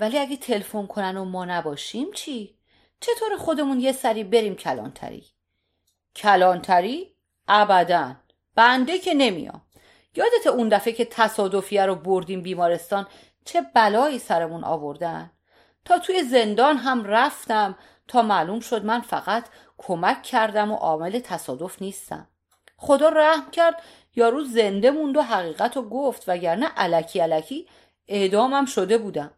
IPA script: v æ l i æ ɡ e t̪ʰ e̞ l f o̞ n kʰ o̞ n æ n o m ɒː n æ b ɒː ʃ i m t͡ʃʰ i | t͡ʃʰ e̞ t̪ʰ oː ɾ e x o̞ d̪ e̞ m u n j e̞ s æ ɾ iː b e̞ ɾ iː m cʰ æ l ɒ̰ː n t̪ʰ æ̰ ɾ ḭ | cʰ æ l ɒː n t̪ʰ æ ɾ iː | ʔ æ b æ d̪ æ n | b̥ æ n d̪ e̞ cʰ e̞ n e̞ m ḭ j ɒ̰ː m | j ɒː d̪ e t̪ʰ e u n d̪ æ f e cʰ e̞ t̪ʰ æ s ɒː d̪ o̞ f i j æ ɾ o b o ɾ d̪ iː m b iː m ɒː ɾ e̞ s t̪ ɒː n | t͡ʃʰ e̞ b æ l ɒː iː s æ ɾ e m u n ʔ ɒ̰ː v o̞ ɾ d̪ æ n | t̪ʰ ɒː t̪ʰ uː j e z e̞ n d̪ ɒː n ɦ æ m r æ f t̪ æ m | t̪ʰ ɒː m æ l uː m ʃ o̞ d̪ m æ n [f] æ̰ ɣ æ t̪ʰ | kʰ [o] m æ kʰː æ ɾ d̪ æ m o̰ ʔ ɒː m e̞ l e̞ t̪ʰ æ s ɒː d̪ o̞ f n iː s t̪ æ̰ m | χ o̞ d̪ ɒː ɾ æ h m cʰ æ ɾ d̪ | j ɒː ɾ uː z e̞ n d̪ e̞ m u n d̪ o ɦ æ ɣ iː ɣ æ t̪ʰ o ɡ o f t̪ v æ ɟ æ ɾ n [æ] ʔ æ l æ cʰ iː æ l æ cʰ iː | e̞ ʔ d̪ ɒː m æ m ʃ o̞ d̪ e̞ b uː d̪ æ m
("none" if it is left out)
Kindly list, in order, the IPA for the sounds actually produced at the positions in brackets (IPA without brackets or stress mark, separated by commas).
f, o, æ